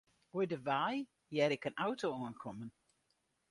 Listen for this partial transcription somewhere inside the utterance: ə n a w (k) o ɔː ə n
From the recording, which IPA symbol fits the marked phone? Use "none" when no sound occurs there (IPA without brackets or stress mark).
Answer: t